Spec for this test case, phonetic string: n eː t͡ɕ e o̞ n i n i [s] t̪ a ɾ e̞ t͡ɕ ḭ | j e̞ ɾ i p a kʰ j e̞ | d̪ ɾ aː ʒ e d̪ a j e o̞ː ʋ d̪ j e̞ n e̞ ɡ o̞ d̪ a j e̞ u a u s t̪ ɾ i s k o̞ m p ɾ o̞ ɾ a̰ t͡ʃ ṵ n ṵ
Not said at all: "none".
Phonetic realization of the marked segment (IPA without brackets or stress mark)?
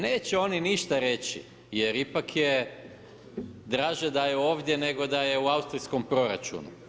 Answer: ʃ